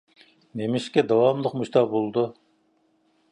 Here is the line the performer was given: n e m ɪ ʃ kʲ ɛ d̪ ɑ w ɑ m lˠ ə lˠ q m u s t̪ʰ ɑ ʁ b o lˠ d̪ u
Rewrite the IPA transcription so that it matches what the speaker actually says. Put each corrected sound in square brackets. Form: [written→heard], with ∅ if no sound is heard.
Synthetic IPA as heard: n e m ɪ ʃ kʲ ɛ d̪ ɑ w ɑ m lˠ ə [lˠ→∅] q m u [s→ʃ] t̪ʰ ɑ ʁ b o lˠ d̪ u